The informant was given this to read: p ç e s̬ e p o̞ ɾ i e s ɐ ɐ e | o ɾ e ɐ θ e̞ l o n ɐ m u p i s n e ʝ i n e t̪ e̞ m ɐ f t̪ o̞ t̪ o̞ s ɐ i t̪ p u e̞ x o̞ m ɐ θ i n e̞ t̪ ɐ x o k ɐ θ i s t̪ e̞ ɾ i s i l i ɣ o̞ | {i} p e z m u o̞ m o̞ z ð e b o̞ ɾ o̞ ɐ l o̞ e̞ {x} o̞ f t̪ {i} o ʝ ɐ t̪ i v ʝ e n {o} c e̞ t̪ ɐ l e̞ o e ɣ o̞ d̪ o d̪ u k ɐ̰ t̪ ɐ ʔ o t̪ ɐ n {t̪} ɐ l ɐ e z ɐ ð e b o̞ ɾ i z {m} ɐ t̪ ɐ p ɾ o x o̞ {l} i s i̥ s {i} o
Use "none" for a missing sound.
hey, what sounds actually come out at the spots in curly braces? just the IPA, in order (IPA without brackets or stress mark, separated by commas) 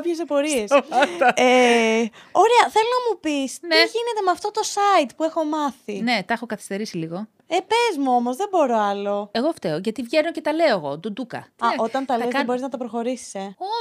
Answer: e, ɣ, e, o, t̪, n, ɾ, e